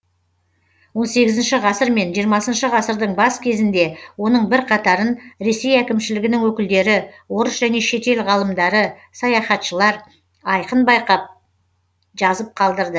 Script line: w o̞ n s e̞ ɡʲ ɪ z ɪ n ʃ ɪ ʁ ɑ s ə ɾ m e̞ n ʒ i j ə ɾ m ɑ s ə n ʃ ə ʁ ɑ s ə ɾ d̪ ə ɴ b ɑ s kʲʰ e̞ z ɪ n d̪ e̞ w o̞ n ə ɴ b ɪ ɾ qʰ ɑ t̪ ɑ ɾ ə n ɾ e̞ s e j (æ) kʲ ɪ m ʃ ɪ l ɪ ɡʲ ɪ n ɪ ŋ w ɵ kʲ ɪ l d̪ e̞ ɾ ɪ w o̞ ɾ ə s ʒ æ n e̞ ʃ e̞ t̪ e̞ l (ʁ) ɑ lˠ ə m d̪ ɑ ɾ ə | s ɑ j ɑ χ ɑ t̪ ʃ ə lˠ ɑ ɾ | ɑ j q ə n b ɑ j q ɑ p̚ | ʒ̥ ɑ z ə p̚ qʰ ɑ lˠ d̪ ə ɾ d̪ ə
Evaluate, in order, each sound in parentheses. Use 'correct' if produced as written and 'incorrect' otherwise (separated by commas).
correct, correct